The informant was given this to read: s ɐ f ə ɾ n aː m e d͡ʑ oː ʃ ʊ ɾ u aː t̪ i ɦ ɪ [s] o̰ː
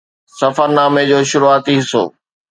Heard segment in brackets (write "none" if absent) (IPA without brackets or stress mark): s